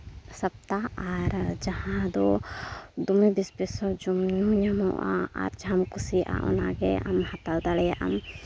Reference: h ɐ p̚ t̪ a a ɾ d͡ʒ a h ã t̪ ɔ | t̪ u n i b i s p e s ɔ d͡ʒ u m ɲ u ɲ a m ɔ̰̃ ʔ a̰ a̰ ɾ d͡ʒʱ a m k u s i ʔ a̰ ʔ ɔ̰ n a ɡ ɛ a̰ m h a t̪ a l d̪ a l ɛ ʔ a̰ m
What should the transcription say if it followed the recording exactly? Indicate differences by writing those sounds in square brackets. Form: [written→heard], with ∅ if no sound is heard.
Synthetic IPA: [h→s] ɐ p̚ t̪ a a ɾ d͡ʒ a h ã [t̪→d̪] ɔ | [t̪→d̪] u [n→m] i b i s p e s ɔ d͡ʒ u m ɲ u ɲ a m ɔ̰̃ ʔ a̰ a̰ ɾ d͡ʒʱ a m k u s i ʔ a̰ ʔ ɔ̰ n a ɡ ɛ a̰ m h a t̪ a l d̪ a l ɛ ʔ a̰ m